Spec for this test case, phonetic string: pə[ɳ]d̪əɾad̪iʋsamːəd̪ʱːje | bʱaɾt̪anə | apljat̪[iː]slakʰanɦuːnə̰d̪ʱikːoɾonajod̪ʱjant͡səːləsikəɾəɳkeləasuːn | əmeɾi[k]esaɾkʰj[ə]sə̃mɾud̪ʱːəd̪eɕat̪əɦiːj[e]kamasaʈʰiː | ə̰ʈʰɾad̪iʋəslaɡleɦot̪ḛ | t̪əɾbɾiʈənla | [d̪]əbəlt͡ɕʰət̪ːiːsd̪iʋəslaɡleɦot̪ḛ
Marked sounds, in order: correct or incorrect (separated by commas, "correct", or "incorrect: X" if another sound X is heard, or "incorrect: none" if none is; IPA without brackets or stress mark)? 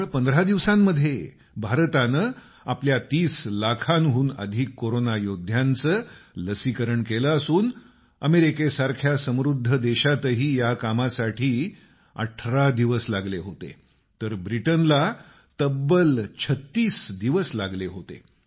incorrect: n, correct, correct, incorrect: a, incorrect: a, incorrect: t̪